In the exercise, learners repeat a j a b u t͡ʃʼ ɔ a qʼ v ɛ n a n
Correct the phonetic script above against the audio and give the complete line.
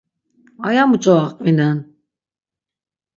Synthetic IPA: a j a m u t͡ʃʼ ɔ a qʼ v i n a n